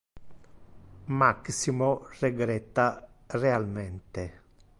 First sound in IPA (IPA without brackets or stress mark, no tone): m